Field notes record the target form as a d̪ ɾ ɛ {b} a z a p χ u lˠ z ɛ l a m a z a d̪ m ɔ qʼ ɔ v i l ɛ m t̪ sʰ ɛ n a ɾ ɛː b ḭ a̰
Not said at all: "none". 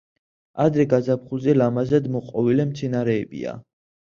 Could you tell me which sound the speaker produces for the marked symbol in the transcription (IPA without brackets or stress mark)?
ɡ